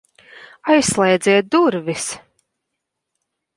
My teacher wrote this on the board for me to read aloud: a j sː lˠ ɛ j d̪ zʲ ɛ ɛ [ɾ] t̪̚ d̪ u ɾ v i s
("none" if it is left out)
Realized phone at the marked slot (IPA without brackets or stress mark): none